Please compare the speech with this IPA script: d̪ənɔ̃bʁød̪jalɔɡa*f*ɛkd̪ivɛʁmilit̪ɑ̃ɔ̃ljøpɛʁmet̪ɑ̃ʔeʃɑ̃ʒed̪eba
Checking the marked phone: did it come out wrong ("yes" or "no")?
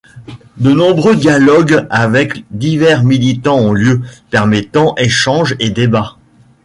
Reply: yes